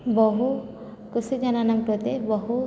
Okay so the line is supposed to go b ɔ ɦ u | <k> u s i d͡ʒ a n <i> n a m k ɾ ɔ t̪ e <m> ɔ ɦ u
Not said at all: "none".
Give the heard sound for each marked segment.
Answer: k, a, b

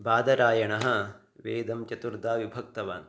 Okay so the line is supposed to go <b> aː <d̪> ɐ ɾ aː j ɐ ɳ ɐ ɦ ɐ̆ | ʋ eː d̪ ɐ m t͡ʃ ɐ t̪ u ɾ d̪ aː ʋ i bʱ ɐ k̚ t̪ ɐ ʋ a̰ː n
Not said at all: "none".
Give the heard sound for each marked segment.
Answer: b, d̪

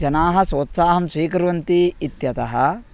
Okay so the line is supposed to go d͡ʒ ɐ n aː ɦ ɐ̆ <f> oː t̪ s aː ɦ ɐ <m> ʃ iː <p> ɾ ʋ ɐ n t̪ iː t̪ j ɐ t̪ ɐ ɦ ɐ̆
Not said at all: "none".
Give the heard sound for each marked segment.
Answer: s, m, k

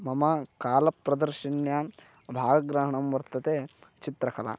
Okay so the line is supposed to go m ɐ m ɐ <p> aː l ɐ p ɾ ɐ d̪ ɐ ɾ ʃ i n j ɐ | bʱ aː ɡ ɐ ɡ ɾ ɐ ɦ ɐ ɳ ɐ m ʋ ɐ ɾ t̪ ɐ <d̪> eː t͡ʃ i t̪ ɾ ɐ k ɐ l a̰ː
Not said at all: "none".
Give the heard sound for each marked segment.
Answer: k, t̪

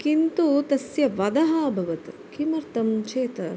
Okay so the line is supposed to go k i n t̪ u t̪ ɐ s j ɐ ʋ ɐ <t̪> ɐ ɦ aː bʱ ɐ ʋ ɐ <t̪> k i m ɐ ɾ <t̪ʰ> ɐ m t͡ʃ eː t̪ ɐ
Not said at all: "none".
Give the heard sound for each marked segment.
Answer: d̪, t̪, t̪

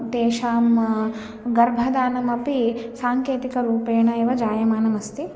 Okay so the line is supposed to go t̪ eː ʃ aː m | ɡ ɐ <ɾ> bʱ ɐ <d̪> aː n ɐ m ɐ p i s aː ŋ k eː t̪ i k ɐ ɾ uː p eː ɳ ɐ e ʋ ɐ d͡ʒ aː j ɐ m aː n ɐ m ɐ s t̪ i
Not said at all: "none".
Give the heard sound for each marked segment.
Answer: ɾ, d̪

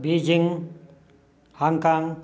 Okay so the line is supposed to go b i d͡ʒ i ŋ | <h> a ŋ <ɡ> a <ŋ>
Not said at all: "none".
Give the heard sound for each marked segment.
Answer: h, k, ŋ

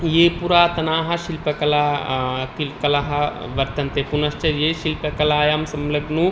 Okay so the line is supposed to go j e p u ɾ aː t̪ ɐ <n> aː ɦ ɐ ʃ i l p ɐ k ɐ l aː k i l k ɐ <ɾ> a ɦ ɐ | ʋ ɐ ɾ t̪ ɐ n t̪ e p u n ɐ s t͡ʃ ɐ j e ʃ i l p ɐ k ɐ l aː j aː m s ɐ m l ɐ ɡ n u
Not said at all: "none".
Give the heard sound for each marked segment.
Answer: n, l

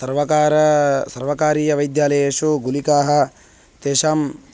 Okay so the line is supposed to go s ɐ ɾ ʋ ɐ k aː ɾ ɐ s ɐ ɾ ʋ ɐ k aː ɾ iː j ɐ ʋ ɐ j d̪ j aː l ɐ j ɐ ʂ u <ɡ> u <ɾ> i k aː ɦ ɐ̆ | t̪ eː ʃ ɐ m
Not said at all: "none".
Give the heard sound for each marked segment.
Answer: ɡ, l

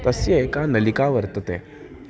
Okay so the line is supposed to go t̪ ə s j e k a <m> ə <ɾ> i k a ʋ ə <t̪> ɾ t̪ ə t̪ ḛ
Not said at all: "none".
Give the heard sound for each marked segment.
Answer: n, l, none

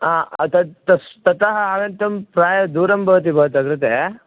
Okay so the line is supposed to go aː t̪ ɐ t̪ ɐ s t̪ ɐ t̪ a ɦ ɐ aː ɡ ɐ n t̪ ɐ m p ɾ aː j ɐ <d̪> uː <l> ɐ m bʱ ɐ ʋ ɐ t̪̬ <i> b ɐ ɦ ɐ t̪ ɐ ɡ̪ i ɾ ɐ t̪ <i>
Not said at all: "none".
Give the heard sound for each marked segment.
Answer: d̪, ɾ, i, e

